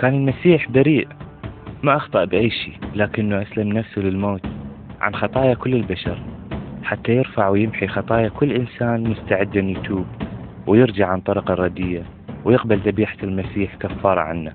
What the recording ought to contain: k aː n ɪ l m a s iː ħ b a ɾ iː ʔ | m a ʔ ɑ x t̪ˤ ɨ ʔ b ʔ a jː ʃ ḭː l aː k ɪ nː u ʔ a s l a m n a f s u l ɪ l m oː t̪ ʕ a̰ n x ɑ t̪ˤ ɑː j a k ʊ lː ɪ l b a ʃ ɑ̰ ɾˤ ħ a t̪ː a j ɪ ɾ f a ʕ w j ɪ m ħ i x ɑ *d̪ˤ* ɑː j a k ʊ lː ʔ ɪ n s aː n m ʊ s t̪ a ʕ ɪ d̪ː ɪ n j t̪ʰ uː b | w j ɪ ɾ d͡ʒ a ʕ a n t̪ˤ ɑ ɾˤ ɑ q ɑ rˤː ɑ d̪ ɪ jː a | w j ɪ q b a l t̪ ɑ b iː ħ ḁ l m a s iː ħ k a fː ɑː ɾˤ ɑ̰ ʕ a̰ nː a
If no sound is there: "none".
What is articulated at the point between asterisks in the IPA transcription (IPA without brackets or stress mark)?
t̪ˤ